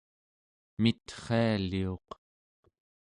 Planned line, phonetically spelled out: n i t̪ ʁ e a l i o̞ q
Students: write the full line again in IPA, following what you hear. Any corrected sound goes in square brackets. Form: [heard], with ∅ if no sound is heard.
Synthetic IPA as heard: [m] i t̪ [χ] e a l i o̞ q